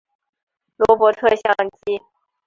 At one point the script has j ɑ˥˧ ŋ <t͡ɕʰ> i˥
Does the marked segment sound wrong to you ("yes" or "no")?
yes